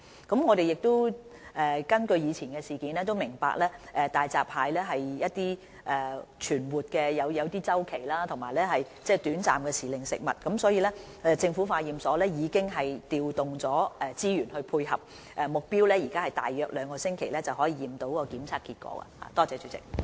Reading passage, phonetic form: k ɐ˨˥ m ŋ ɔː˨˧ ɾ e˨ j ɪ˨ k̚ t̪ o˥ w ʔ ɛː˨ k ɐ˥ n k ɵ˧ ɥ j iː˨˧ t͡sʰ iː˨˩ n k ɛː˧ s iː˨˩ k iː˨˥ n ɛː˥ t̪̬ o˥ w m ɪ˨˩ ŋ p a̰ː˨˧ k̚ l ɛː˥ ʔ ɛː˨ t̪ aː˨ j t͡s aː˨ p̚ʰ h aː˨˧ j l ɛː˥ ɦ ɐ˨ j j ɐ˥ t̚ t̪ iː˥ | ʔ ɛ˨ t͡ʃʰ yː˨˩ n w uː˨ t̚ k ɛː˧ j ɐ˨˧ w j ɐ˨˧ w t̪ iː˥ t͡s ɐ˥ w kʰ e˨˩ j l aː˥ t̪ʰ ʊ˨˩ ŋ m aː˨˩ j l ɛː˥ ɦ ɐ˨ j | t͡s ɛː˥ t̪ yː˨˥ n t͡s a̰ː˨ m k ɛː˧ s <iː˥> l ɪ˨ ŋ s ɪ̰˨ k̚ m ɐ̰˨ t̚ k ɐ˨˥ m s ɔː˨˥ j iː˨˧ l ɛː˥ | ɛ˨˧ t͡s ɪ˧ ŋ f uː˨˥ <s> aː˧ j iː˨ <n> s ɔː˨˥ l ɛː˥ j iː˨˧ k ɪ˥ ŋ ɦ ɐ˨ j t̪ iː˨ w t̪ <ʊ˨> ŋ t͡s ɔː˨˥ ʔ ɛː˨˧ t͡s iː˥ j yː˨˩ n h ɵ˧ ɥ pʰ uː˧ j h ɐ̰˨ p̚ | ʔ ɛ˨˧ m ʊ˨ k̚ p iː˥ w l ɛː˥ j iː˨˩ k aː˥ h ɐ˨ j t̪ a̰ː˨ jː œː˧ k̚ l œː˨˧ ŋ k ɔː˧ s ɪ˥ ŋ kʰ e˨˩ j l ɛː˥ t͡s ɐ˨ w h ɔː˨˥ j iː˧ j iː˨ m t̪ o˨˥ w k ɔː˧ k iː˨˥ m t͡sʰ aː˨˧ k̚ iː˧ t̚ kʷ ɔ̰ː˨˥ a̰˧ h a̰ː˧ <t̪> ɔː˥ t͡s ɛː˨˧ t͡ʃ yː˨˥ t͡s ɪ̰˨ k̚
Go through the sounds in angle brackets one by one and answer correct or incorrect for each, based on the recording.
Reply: incorrect, incorrect, incorrect, correct, correct

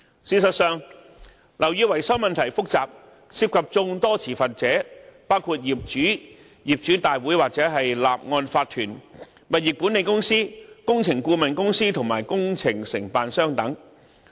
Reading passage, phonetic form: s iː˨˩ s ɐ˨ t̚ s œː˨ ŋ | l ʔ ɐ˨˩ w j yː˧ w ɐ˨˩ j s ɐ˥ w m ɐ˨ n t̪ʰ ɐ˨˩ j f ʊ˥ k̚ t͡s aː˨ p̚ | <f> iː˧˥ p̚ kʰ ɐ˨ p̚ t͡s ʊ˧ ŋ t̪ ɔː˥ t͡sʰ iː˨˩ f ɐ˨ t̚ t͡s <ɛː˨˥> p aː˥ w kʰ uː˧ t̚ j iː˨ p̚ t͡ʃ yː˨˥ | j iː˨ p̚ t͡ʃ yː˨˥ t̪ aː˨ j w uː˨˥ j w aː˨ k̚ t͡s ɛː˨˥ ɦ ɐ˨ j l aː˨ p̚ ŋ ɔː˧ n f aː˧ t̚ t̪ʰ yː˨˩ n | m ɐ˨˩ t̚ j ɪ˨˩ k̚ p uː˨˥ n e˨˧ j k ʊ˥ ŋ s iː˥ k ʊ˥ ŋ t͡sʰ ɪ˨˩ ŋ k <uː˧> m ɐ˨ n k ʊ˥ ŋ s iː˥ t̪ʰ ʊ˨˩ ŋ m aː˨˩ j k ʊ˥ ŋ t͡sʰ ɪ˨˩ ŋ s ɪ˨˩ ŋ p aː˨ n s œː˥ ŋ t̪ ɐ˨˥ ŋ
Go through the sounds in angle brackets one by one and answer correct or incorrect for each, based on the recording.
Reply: incorrect, correct, correct

